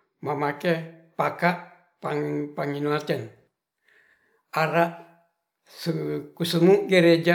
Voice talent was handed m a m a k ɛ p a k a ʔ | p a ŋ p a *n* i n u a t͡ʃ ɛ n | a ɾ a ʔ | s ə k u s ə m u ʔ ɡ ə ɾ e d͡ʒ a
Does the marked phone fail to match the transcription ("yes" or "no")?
yes